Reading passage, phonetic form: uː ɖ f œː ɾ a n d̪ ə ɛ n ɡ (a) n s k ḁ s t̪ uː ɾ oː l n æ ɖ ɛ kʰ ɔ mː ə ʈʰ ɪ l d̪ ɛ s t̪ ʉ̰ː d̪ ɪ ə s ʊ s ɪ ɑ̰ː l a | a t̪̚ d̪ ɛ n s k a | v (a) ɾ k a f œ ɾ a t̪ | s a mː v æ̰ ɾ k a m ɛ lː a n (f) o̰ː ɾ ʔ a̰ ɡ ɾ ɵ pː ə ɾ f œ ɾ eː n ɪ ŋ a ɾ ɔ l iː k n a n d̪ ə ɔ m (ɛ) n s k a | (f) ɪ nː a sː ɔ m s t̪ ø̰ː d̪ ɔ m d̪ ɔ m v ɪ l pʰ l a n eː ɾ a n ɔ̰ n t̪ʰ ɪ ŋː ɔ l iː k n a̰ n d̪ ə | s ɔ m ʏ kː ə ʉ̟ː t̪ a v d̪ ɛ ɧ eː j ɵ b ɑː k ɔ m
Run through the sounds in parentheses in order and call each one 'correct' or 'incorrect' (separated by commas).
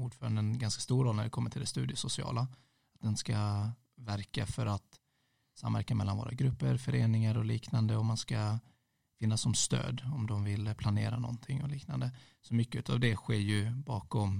correct, incorrect, incorrect, incorrect, correct